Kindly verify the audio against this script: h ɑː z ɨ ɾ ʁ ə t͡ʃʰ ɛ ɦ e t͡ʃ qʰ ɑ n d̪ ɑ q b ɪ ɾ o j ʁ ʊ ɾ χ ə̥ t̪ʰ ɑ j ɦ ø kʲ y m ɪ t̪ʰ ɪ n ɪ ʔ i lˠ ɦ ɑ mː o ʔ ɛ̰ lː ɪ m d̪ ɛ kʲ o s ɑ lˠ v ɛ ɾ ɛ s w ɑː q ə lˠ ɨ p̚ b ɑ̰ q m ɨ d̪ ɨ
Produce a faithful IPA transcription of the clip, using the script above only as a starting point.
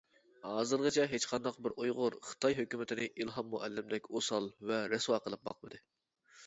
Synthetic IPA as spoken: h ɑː z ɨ ɾ ʁ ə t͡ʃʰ ɛ ɦ e t͡ʃ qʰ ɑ n d̪ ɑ q b ɪ ɾ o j ʁ ʊ ɾ χ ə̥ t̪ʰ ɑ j ɦ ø kʲ y m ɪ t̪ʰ ɪ n ɪ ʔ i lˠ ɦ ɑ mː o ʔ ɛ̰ lː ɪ m d̪ ɛ kʲ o s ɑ lˠ v ɛ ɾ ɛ s w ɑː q ə lˠ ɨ p̚ b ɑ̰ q m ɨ d̪ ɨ